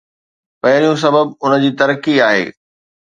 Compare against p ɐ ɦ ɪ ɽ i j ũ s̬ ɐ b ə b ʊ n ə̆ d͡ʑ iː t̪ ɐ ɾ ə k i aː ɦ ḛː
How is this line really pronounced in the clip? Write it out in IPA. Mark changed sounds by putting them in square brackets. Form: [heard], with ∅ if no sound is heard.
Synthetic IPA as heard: p ɐ ɦ ɪ [ɾ] i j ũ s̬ ɐ b ə b ʊ n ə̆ d͡ʑ iː t̪ ɐ ɾ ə k i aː ɦ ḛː